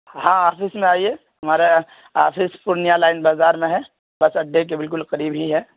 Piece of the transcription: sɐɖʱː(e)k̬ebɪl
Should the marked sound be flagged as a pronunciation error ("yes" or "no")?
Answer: no